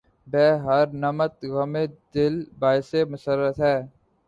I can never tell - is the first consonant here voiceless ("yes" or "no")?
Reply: no